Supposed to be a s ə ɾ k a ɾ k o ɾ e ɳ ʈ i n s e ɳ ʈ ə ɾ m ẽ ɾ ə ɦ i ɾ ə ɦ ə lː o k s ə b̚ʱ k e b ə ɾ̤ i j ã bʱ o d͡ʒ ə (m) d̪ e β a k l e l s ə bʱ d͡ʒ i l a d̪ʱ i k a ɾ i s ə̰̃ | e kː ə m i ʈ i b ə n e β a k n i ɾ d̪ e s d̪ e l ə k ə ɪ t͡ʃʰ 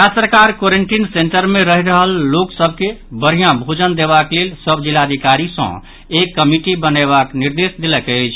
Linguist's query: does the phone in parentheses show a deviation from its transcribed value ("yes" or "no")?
yes